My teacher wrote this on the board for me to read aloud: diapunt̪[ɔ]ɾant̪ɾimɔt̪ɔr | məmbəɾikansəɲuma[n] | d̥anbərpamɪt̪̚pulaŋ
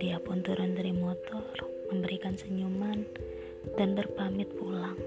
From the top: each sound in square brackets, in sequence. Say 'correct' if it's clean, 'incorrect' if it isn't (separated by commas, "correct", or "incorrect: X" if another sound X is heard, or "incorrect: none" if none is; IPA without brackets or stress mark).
incorrect: u, correct